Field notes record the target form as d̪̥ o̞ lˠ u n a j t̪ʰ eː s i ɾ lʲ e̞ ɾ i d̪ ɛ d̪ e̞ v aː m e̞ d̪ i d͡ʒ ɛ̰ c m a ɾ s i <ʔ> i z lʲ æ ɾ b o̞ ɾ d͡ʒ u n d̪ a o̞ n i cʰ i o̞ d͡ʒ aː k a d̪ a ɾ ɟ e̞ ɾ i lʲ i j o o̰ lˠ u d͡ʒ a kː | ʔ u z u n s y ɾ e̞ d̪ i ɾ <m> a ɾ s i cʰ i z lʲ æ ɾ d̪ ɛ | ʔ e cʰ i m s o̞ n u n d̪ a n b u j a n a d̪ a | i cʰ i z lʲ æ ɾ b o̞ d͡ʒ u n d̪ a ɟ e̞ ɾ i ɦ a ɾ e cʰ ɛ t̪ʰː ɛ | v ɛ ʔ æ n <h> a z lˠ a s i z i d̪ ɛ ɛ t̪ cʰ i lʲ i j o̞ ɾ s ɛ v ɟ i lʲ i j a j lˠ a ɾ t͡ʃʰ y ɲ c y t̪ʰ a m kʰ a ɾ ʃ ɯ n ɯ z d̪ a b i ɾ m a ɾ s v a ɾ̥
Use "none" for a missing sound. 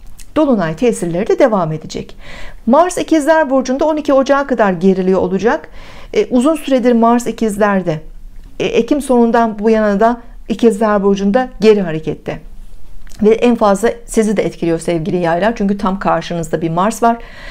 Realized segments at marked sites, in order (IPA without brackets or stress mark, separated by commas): c, m, f